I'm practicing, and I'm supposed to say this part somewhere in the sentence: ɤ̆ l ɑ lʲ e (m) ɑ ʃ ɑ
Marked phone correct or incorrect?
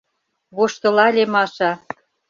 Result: correct